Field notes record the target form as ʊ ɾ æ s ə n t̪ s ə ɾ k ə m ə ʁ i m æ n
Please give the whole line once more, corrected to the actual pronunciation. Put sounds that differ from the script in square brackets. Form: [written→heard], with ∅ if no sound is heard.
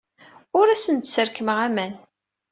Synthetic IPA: ʊ ɾ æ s ə n t̪ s ə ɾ k ə m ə ʁ [i→æ] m æ n